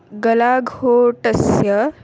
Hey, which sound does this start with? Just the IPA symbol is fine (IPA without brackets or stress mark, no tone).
ɡ